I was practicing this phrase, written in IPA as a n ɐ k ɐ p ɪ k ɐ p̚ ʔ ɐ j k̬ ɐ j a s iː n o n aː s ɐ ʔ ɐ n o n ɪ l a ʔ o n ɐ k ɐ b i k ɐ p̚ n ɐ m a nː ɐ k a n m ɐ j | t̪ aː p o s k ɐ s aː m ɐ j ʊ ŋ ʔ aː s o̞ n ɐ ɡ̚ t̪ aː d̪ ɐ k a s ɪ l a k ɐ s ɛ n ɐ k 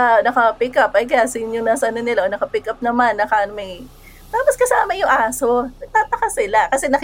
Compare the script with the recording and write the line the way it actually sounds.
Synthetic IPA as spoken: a n ɐ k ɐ p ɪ k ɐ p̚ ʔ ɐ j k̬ ɐ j a s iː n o n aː s ɐ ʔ ɐ n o n ɪ l a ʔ o n ɐ k ɐ p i k ɐ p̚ n ɐ m a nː ɐ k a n m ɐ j | t̪ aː p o s k ɐ s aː m ɐ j ʊ ŋ ʔ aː s o̞ n ɐ ɡ̚ t̪ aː t̪ ɐ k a s ɪ l a k ɐ s ɛ n ɐ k